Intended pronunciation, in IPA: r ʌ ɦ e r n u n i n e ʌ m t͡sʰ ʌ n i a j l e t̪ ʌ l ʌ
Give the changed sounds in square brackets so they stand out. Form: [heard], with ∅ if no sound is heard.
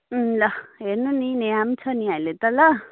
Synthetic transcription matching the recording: [l] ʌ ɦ e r n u n i n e [a] m t͡sʰ ʌ n i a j l e t̪ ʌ l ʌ